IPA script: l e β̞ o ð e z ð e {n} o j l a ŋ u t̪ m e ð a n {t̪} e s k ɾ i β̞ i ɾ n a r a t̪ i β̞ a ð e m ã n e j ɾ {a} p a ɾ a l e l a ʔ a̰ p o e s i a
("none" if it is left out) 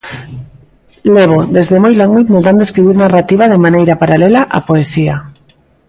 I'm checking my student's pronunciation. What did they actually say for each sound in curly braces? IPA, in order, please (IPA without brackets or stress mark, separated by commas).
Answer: m, d̪, a